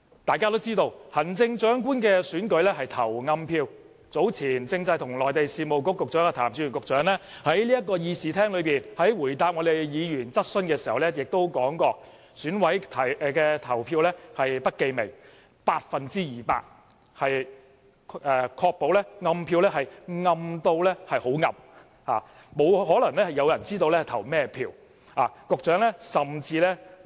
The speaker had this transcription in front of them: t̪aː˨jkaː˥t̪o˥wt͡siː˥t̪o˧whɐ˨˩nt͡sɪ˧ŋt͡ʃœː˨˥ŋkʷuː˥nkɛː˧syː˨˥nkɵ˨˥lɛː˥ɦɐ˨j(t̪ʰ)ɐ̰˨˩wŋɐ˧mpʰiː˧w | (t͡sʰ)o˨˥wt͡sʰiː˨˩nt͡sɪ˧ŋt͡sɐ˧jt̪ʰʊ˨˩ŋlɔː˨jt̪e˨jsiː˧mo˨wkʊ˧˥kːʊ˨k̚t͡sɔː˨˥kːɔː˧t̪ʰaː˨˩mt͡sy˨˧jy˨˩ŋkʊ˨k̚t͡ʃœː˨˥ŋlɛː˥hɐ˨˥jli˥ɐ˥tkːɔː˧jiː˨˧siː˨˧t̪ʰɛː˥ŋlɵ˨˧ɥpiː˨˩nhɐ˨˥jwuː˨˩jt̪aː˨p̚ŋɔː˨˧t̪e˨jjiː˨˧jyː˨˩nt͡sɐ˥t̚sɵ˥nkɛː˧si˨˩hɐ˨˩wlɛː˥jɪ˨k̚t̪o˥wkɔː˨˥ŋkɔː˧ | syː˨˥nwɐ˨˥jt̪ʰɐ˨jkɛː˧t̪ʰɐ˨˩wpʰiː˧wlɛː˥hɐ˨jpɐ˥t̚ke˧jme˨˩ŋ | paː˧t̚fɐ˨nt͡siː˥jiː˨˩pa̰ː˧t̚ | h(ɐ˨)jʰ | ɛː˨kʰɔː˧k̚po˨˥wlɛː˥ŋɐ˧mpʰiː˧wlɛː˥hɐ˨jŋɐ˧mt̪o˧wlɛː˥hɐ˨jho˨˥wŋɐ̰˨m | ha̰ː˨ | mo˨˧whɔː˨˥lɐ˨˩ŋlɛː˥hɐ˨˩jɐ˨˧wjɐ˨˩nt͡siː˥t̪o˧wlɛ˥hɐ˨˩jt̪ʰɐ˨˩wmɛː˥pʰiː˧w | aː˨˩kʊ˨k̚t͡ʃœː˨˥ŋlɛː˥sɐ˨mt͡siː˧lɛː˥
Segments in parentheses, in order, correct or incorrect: correct, incorrect: t͡s, correct

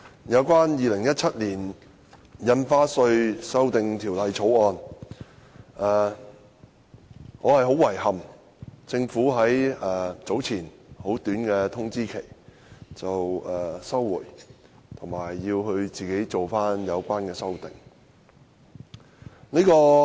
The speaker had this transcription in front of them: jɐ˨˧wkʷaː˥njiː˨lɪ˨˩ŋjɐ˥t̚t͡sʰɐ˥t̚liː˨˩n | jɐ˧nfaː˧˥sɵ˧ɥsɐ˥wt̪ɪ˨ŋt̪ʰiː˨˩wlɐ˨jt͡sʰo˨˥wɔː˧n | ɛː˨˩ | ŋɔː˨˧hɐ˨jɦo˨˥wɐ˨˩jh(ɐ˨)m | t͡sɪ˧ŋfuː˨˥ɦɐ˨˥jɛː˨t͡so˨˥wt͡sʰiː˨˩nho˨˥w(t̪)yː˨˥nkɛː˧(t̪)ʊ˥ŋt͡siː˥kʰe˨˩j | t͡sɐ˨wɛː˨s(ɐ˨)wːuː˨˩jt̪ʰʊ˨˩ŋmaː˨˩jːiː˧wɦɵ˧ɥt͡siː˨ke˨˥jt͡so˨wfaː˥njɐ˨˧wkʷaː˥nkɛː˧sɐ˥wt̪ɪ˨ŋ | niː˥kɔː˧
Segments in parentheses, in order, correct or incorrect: correct, correct, incorrect: t̪ʰ, incorrect: ɐ˥

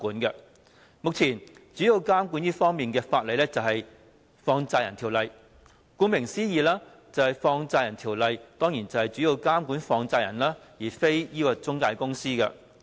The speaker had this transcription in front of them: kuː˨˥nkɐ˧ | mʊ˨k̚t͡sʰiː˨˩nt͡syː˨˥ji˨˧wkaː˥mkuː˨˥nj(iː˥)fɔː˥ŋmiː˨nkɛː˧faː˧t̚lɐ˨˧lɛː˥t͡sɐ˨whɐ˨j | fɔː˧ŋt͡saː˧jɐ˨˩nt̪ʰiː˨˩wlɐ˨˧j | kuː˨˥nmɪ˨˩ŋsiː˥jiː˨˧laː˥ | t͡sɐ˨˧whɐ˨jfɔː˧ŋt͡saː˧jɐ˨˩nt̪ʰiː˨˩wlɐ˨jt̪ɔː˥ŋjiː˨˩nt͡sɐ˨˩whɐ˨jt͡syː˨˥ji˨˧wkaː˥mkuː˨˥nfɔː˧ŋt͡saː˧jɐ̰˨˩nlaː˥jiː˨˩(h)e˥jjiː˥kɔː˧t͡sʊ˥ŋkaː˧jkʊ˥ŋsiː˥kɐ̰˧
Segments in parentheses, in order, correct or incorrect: correct, incorrect: f

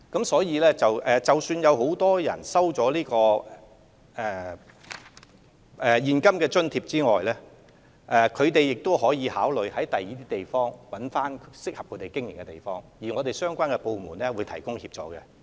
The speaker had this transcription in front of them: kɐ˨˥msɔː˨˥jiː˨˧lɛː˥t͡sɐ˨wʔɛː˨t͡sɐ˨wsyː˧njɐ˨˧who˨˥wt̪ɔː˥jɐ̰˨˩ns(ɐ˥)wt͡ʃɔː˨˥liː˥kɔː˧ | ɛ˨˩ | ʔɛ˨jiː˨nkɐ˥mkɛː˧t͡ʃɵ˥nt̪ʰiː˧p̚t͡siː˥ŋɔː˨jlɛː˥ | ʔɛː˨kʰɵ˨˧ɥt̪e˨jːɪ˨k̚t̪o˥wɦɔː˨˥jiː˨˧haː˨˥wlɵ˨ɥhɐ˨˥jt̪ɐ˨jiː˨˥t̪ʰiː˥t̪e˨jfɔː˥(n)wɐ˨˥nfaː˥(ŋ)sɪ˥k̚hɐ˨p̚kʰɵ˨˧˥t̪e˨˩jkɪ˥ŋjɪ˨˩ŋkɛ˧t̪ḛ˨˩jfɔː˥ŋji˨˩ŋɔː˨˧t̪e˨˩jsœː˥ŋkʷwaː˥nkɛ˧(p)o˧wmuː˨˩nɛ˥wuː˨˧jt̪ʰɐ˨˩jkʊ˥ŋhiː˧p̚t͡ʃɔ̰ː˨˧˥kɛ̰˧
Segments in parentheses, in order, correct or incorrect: correct, incorrect: ŋ, incorrect: n, correct

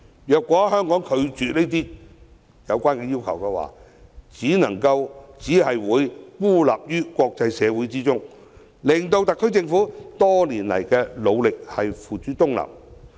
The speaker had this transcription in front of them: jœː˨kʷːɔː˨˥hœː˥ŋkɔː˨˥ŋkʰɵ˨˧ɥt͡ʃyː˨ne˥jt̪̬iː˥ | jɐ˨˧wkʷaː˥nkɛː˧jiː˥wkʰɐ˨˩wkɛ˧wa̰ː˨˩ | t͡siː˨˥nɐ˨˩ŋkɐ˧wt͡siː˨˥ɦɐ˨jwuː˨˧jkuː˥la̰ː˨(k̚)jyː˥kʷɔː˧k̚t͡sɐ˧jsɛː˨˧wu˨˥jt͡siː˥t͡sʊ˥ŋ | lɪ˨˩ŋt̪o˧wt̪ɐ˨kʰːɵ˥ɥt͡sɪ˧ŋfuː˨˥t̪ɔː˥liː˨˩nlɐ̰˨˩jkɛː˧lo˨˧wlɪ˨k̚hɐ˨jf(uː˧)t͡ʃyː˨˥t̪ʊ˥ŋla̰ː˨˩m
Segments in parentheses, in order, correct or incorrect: incorrect: p̚, incorrect: uː˨˩

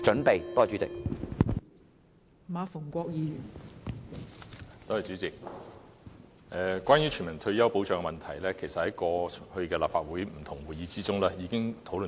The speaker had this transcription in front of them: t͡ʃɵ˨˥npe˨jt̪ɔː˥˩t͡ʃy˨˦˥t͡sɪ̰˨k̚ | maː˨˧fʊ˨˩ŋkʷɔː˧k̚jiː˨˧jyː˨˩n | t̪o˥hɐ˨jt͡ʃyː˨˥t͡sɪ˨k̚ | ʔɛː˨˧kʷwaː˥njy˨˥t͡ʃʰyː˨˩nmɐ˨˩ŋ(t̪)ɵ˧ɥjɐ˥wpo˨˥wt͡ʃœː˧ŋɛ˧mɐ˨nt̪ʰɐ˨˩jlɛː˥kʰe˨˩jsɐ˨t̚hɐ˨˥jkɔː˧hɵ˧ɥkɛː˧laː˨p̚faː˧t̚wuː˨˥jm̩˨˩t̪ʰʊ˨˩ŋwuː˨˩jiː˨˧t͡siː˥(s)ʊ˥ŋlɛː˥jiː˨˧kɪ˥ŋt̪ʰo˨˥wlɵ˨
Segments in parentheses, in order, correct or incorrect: incorrect: t̪ʰ, incorrect: t͡s

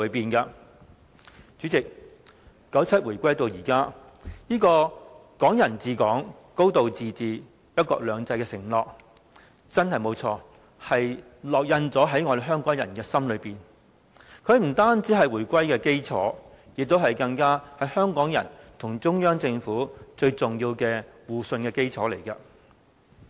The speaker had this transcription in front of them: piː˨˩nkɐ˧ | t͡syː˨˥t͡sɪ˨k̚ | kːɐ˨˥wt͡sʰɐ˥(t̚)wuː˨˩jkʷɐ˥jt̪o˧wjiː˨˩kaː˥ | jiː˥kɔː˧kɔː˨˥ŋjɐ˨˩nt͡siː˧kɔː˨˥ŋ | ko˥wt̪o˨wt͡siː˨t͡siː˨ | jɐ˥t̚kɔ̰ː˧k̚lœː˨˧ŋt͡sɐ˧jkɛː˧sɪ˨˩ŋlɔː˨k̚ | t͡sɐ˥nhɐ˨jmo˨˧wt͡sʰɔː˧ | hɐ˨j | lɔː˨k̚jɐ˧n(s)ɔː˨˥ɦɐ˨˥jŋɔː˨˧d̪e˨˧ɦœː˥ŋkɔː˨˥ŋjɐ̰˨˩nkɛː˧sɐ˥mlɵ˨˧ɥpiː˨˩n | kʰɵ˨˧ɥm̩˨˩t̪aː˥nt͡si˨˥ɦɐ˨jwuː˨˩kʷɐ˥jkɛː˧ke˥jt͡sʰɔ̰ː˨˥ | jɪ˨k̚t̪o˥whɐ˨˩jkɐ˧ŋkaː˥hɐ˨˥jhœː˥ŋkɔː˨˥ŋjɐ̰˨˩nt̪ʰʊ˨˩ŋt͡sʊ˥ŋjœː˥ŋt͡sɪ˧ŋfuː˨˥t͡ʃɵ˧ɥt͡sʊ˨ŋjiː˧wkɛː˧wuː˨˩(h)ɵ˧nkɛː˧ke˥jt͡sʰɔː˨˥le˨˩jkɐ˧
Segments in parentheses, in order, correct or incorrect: correct, incorrect: t͡s, incorrect: s

